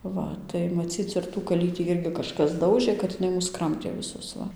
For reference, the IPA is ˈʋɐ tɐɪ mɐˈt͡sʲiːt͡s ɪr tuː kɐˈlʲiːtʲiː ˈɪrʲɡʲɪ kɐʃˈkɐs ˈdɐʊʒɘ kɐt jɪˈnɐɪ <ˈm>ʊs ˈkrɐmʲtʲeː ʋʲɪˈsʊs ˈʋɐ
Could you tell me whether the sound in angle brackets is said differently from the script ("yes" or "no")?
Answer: no